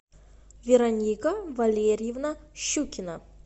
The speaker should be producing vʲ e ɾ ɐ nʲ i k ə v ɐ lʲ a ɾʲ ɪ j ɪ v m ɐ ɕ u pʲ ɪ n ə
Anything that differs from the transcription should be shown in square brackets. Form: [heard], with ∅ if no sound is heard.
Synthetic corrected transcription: vʲ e ɾ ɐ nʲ i k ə v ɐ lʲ [e] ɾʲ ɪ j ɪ v [n] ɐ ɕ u [kʲ] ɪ n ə